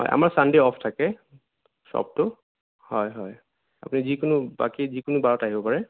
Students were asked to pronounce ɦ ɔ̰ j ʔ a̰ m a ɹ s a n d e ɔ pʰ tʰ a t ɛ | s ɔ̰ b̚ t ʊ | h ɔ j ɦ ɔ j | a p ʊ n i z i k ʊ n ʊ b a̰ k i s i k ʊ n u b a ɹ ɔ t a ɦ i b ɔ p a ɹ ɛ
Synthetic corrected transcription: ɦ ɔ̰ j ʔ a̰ m a ɹ s a n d e ɔ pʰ tʰ a k ɛ | s ɔ̰ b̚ t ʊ | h ɔ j ɦ ɔ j | a p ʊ n i z i k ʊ n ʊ b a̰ k i z i k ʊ n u b a ɹ ɔ t a ɦ i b ɔ p a ɹ ɛ